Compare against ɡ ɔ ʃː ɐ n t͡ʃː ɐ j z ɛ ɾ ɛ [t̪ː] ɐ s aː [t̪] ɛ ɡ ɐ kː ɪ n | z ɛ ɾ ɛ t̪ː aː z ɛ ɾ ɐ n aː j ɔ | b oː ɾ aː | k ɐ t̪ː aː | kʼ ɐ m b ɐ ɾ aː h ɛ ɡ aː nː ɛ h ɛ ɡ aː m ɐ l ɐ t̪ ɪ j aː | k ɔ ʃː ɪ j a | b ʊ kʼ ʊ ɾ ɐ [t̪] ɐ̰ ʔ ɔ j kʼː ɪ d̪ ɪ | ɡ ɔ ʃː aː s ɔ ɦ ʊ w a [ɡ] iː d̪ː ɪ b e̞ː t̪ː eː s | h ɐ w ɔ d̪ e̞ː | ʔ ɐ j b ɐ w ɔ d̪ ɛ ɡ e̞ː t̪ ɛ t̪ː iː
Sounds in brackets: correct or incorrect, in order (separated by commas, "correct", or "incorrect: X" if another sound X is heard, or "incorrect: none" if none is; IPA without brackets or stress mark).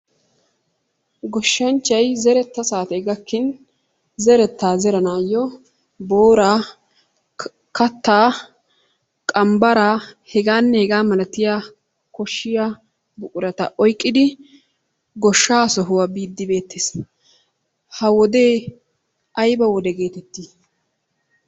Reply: correct, correct, correct, incorrect: b